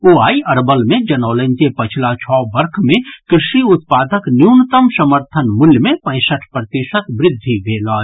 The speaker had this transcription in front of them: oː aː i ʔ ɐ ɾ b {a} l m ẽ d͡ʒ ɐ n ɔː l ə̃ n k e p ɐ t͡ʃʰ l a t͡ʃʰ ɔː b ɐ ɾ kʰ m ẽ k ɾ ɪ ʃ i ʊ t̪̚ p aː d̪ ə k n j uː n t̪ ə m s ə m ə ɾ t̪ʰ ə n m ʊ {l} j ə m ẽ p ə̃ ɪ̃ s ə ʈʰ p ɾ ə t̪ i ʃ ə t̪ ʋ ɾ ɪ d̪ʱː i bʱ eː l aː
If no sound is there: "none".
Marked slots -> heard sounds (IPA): ə, l

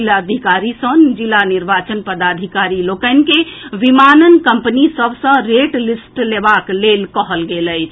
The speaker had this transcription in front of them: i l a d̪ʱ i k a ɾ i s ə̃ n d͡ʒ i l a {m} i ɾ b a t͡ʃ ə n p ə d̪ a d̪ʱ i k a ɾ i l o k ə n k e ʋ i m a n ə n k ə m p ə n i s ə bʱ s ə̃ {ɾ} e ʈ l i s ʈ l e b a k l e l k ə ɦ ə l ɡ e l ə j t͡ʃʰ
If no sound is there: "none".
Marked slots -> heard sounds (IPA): n, ɾ

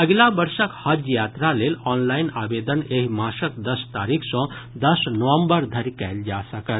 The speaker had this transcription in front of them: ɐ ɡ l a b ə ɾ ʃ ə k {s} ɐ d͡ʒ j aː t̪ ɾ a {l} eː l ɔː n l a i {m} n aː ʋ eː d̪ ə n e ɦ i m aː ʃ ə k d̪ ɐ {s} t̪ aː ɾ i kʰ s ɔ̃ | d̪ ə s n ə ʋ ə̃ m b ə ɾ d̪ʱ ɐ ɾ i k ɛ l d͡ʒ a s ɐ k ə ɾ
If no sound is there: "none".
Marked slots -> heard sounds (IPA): h, l, none, s

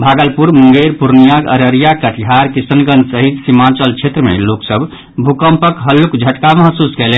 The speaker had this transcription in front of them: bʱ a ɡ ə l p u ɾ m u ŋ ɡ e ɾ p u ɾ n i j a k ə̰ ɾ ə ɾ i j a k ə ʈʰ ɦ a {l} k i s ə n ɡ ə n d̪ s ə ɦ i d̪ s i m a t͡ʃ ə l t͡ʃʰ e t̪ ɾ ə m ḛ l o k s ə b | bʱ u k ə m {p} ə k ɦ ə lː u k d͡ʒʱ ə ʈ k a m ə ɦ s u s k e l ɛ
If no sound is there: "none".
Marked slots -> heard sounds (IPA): ɾ, p

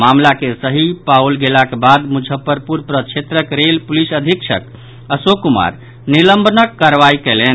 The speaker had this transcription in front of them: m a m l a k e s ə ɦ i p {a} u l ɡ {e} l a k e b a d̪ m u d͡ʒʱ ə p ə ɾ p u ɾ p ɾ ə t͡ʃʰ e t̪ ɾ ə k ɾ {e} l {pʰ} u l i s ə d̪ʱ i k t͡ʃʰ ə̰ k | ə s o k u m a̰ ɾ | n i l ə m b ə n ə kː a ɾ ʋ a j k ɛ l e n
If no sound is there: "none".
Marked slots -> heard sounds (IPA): a, e, e, p

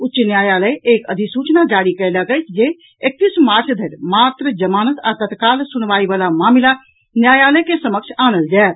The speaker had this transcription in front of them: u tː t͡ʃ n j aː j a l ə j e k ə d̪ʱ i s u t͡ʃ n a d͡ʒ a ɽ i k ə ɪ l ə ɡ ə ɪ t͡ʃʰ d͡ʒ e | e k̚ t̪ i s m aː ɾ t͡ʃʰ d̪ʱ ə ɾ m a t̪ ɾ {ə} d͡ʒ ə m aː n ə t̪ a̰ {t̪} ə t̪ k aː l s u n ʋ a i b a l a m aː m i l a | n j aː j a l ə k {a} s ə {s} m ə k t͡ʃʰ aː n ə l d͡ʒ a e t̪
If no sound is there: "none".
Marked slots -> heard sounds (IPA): ə, t̪, e, none

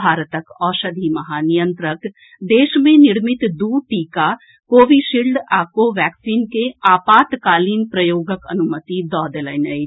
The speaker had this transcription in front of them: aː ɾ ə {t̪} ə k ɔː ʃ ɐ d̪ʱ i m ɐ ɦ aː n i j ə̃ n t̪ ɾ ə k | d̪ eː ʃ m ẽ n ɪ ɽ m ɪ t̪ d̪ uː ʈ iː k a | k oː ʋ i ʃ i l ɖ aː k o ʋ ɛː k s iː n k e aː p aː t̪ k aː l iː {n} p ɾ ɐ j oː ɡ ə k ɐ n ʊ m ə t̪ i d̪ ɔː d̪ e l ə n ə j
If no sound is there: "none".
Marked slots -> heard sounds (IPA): t̪, n

